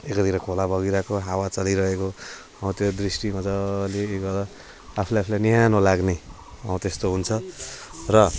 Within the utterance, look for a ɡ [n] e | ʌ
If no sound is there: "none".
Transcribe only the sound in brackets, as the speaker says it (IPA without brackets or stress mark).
n